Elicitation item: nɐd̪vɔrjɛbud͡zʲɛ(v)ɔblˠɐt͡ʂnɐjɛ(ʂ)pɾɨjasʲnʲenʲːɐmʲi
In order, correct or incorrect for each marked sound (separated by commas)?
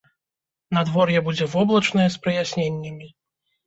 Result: correct, incorrect